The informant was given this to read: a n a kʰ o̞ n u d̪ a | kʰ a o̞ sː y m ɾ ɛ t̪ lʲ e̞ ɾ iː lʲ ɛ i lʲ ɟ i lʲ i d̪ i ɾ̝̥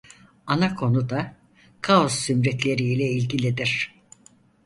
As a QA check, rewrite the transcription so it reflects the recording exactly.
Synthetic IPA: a n a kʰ o̞ n u d̪ a | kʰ a o̞ sː y m ɾ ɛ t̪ lʲ e̞ ɾ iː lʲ ɛ i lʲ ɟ i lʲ i d̪ i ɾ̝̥